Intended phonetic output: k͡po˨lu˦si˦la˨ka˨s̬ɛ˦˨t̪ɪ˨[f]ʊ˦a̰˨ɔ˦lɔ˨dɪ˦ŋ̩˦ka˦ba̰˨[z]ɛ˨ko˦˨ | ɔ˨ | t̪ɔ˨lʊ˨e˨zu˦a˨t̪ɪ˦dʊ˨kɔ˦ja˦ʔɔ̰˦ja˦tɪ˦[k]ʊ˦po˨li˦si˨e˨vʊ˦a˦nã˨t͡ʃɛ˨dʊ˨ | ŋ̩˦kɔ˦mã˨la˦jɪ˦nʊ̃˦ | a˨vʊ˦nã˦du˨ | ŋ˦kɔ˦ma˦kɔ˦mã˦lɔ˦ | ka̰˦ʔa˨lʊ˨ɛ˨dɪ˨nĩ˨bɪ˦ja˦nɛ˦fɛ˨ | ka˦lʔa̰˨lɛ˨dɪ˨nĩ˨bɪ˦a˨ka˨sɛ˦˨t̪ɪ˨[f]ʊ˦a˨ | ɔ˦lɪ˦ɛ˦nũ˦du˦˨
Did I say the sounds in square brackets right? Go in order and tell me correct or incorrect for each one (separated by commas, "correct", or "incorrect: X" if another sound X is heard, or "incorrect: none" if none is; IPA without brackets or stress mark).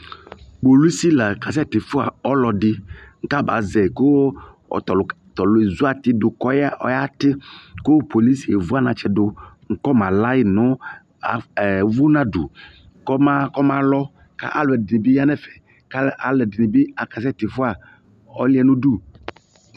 correct, correct, correct, correct